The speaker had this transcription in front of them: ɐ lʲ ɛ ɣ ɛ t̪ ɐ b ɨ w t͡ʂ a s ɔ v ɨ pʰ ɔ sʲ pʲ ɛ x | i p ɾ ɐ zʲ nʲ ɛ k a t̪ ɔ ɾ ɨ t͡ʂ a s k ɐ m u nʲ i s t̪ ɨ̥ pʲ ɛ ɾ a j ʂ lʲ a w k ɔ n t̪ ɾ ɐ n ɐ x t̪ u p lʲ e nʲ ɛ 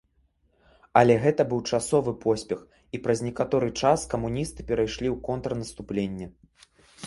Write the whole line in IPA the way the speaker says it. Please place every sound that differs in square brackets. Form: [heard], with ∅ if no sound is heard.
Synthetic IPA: ɐ lʲ ɛ ɣ ɛ t̪ ɐ b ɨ w t͡ʂ a s ɔ v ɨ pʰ ɔ sʲ pʲ ɛ x | i p ɾ ɐ zʲ nʲ ɛ k a t̪ ɔ ɾ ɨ t͡ʂ a s k ɐ m u nʲ i s t̪ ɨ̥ pʲ ɛ ɾ a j ʂ lʲ [i] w k ɔ n t̪ ɾ ɐ n ɐ [s] t̪ u p lʲ e [nʲː] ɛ